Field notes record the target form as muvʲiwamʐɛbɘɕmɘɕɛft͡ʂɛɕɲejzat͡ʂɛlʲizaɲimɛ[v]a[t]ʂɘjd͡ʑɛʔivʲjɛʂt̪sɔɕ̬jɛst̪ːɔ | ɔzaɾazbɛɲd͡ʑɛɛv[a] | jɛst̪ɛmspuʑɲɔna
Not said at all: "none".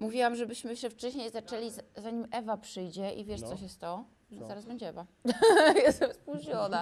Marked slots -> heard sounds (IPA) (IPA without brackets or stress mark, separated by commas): v, p, a